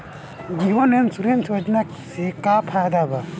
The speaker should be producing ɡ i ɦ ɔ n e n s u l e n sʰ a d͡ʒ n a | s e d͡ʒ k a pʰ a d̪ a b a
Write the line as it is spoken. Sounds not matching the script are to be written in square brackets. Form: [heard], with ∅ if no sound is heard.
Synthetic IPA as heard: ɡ i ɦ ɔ n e n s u [ɾ] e n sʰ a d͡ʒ n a | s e [∅] k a pʰ a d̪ a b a